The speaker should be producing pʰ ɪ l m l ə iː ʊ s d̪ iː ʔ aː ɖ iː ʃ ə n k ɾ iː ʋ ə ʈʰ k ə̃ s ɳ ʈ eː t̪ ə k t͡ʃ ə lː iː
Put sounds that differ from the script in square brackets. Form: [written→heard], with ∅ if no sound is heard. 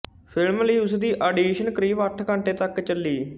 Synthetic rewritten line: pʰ ɪ l m l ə iː ʊ s d̪ iː ʔ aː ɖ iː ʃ ə n k ɾ iː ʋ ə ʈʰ k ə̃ [s→∅] ɳ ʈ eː t̪ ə k t͡ʃ ə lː iː